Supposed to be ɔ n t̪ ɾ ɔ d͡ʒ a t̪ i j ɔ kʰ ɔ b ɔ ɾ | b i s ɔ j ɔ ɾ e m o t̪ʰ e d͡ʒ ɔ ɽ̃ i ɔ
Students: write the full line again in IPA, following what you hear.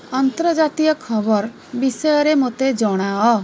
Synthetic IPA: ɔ n t̪ ɾ ɔ d͡ʒ a t̪ i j ɔ kʰ ɔ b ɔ ɾ | b i s ɔ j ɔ ɾ e m o t̪ e d͡ʒ ɔ ɽ̃ a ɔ